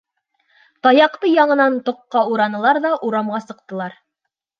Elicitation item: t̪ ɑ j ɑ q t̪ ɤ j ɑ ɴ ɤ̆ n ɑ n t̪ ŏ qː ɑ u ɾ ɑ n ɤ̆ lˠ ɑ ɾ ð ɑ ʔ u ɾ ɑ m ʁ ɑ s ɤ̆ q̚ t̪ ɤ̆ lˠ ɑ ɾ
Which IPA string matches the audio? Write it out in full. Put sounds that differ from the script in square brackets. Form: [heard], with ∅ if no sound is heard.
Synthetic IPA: t̪ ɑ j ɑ q t̪ ɤ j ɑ ɴ ɤ̆ n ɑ n t̪ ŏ qː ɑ u ɾ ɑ n ɤ̆ lˠ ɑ ɾ ð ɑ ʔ u ɾ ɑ m ʁ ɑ s ɤ̆ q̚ t̪ ɤ̆ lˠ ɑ ɾ

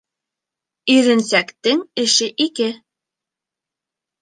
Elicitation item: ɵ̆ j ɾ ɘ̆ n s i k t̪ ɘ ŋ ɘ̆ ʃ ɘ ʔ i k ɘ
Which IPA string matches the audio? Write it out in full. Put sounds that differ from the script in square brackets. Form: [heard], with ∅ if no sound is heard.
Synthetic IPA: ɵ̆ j ɾ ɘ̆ n s [æ] k t̪ ɘ ŋ ɘ̆ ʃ ɘ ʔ i k ɘ

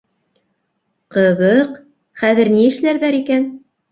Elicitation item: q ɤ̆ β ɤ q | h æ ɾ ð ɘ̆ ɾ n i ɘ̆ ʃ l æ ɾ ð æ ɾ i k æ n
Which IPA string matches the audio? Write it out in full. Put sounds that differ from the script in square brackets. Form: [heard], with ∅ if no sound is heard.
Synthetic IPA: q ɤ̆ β ɤ q | [χ] æ [∅] ð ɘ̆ ɾ n i ɘ̆ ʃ l æ ɾ ð æ ɾ i k æ n

